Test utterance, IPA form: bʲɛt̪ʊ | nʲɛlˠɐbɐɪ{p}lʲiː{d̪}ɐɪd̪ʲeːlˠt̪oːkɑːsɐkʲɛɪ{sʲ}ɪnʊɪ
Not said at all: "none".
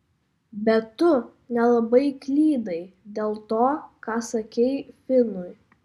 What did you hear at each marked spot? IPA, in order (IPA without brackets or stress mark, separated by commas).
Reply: k, d̪, fʲ